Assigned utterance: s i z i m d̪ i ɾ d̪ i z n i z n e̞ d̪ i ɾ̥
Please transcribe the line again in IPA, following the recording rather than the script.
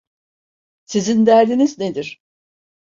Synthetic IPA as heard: s i z i n d̪ æ ɾ d̪ i n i z n e̞ d̪ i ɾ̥